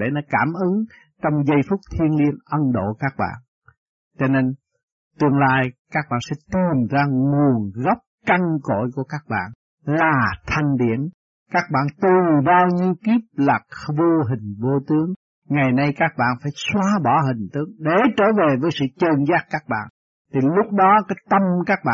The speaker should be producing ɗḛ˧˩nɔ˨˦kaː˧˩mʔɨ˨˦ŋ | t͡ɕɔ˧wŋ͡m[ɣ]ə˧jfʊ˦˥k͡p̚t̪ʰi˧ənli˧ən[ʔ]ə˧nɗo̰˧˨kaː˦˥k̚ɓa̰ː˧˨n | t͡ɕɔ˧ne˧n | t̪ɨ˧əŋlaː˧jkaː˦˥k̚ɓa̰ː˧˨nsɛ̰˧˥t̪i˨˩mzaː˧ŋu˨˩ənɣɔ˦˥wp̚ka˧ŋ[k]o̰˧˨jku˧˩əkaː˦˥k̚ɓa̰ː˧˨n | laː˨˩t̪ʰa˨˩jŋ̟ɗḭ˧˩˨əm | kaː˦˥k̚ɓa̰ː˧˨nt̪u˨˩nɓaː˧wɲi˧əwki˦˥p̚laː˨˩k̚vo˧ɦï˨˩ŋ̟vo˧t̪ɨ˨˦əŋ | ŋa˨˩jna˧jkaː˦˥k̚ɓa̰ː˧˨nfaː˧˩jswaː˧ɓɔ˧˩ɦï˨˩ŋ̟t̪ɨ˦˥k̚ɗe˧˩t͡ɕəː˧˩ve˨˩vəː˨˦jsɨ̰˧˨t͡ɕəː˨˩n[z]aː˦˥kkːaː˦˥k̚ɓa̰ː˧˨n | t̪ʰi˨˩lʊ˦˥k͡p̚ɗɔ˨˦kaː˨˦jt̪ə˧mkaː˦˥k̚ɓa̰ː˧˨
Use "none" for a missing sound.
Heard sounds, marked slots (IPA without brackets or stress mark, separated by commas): z, ʔ, k, z